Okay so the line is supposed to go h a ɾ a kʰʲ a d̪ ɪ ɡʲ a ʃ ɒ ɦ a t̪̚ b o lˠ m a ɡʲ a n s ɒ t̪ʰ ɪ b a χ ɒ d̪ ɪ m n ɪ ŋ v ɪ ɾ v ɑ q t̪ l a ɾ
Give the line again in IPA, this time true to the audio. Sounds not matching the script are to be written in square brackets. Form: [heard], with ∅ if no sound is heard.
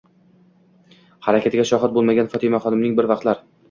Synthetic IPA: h a ɾ a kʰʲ a [t̪] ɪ ɡʲ a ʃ ɒ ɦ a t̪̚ b o lˠ m a ɡʲ a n [f] ɒ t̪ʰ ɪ [m] a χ ɒ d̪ ɪ m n ɪ ŋ [b] ɪ ɾ v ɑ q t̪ l a ɾ